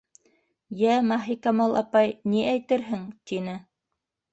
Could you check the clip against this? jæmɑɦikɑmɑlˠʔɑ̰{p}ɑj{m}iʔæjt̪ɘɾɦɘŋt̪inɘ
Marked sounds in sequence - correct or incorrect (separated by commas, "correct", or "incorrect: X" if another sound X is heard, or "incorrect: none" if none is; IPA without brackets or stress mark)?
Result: correct, incorrect: n